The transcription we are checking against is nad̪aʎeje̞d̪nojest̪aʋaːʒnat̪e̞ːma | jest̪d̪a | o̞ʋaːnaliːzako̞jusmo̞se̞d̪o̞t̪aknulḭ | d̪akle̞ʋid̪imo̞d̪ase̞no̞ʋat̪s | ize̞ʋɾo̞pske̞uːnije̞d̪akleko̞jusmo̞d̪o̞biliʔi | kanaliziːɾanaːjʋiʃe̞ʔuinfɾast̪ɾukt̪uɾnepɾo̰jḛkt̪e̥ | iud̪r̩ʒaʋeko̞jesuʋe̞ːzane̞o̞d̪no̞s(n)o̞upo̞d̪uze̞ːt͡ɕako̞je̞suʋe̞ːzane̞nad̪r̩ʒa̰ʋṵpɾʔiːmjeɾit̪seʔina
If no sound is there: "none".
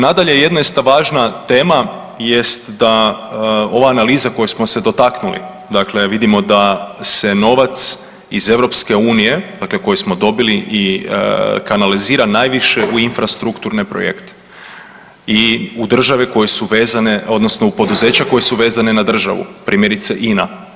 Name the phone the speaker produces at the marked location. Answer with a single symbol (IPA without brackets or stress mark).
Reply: n